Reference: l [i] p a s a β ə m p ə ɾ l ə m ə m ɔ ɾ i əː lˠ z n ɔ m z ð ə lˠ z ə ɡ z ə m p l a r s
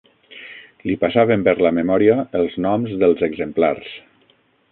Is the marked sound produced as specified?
yes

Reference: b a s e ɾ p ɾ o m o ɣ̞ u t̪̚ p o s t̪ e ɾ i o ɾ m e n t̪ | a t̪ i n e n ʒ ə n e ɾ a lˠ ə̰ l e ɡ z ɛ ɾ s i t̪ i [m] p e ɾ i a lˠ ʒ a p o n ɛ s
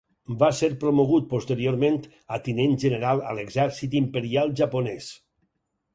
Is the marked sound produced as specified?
yes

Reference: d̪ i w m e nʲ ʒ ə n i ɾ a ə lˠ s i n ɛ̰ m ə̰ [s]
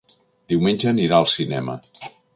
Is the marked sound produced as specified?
no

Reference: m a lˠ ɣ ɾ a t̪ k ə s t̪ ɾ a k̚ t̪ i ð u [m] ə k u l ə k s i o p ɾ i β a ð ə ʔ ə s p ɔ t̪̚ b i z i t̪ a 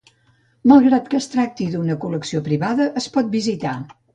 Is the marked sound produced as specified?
no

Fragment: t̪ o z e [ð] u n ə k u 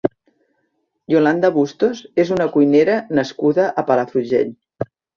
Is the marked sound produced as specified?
no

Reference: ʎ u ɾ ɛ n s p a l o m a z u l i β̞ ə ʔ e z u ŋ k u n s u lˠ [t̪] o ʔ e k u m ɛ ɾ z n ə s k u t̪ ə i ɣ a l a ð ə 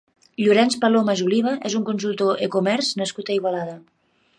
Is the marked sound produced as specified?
yes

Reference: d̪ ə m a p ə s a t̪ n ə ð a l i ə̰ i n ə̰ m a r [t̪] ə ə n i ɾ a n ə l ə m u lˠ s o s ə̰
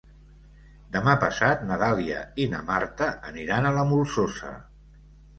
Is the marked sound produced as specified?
yes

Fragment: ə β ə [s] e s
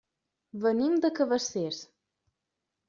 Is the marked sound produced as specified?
yes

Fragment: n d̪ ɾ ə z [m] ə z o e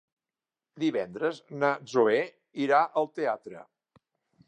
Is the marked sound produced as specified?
no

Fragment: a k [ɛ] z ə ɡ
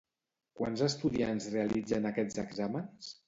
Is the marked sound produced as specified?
yes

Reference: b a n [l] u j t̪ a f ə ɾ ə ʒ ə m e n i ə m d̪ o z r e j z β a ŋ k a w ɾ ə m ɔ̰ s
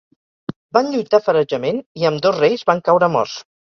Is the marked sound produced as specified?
no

